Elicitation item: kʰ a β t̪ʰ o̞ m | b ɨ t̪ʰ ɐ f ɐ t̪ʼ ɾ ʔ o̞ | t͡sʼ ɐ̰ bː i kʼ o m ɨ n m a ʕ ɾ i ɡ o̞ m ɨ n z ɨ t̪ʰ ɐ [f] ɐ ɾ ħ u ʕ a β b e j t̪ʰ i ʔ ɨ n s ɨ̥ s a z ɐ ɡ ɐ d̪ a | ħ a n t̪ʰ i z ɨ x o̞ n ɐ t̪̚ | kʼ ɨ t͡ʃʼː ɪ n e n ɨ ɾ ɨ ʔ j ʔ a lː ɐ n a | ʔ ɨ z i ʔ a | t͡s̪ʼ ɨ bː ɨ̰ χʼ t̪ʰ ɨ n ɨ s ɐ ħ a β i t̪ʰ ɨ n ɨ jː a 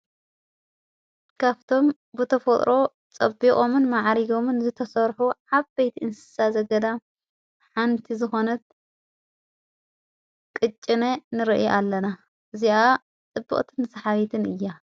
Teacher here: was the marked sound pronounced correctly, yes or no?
no